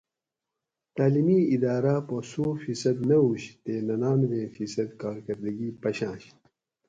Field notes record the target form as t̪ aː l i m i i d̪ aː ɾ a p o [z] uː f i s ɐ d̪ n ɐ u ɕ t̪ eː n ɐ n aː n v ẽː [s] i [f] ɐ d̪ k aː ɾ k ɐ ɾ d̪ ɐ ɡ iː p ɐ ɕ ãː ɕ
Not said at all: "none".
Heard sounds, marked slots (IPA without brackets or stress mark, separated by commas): s, f, s